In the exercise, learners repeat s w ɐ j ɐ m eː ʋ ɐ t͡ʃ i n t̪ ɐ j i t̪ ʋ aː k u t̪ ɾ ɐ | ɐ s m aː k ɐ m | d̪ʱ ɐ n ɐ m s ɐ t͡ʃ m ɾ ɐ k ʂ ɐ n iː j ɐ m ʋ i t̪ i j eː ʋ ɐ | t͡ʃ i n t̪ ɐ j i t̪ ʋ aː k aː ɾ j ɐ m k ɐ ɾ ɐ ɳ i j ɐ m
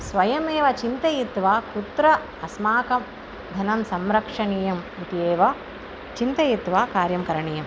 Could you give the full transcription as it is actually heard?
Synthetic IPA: s ʋ ɐ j ɐ m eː ʋ ɐ t͡ʃ i n t̪ ɐ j i t̪ ʋ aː k u t̪ ɾ ɐ | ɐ s m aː k ɐ m | d̪ʱ ɐ n ɐ m s ɐ m ɾ ɐ k ʂ ɐ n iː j ɐ m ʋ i t̪ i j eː ʋ ɐ | t͡ʃ i n t̪ ɐ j i t̪ ʋ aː k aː ɾ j ɐ m k ɐ ɾ ɐ ɳ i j ɐ m